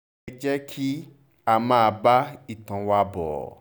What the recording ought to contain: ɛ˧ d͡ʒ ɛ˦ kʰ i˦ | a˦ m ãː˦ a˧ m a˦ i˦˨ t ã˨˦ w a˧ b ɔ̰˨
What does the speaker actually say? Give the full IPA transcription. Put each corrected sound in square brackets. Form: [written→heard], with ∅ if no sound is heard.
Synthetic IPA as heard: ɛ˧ d͡ʒ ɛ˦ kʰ i˦ | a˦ m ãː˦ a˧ [m→b] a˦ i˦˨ t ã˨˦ w a˧ b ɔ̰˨